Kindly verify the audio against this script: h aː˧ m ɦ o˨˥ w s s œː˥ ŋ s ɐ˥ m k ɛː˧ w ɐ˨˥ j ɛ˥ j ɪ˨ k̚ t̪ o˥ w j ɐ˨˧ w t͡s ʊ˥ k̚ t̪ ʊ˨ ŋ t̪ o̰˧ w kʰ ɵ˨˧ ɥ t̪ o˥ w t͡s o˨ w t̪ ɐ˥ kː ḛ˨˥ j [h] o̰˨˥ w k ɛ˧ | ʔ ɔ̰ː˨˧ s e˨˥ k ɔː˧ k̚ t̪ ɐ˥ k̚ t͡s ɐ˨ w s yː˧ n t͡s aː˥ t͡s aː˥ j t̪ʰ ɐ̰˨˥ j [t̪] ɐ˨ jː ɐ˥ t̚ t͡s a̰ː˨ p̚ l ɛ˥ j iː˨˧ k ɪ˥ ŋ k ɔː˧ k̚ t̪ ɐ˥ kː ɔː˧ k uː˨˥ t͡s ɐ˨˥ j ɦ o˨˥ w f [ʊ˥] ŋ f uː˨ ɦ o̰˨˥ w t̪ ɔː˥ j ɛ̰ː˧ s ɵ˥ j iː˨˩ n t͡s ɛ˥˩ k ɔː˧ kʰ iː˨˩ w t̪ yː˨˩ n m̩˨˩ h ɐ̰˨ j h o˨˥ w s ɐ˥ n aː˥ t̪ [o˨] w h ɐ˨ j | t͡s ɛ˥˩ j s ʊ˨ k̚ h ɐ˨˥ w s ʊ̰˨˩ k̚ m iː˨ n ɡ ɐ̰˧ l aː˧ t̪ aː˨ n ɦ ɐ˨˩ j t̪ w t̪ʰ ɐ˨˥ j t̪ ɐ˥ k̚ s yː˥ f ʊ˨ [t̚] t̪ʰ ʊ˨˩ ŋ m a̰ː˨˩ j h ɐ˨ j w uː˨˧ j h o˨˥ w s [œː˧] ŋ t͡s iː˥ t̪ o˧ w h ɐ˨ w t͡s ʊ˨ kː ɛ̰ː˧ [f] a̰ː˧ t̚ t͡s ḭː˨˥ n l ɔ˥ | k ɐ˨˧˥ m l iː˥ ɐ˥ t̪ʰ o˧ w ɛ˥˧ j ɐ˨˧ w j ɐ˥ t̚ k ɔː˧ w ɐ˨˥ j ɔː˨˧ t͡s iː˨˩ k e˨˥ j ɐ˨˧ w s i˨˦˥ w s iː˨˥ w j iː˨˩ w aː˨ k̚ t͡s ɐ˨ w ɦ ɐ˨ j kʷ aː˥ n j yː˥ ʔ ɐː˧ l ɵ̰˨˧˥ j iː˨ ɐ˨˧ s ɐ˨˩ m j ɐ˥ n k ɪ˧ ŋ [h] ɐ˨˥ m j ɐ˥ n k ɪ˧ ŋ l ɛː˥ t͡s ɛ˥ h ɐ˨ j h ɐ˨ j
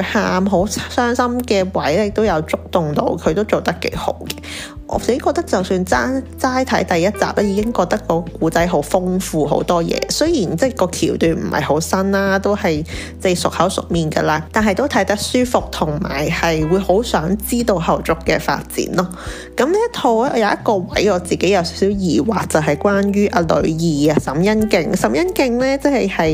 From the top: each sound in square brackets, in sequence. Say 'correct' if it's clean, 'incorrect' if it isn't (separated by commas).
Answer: correct, correct, correct, incorrect, incorrect, incorrect, correct, incorrect